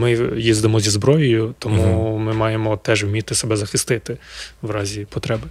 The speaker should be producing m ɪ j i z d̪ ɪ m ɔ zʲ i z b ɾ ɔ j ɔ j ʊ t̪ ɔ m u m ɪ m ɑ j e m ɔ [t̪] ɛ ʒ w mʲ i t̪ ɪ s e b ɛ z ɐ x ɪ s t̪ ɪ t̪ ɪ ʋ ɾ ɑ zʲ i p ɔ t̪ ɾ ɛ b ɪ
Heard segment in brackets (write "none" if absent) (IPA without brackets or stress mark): t̪